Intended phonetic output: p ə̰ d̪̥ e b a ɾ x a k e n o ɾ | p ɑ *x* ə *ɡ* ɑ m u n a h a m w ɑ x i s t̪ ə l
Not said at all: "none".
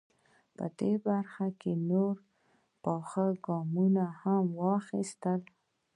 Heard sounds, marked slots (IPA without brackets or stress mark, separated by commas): x, ɡ